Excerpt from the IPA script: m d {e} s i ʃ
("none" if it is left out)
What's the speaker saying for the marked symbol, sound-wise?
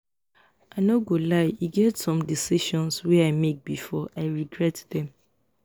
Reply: i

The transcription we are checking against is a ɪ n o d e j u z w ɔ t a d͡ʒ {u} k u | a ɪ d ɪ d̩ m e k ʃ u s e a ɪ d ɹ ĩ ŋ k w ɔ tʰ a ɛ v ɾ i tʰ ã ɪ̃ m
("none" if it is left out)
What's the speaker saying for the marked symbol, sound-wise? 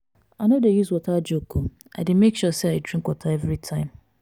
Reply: o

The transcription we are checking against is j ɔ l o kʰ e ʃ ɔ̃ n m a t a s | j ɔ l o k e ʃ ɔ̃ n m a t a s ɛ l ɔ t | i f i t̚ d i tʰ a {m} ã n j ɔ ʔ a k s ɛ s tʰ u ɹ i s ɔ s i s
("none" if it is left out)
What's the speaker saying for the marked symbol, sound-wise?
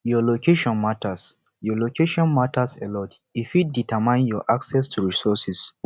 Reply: m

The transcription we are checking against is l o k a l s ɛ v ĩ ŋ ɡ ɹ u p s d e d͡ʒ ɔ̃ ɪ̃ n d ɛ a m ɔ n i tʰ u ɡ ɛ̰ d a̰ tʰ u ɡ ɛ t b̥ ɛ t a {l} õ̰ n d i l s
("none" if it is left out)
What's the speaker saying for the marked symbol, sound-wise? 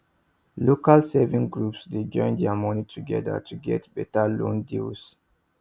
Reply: l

